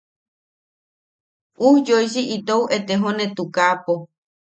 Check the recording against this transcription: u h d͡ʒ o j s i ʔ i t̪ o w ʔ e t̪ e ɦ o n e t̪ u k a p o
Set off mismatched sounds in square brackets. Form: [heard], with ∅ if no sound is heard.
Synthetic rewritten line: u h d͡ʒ o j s i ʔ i t̪ o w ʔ e t̪ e ɦ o n e t̪ u k a p o